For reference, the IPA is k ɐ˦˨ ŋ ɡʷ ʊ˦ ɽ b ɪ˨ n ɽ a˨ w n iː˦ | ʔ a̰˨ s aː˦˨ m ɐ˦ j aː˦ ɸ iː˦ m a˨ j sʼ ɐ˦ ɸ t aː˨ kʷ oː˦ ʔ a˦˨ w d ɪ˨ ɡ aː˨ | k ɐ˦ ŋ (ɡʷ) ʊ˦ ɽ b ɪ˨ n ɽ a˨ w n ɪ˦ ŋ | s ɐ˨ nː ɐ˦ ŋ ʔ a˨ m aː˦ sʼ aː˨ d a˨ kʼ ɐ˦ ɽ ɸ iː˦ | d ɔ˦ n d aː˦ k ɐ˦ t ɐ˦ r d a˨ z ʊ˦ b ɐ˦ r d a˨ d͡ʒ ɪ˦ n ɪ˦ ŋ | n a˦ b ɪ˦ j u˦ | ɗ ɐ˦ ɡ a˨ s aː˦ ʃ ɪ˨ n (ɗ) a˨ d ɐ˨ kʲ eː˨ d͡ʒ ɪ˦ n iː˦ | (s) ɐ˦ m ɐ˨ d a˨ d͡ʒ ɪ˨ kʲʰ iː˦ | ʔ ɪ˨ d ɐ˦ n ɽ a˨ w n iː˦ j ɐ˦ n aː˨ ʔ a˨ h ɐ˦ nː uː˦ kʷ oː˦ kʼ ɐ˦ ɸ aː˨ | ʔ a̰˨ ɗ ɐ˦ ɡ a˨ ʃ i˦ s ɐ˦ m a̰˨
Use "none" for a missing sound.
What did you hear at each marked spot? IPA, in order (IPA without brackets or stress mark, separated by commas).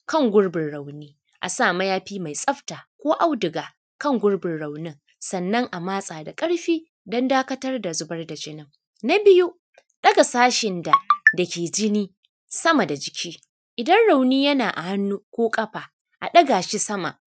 ɡʷ, d, s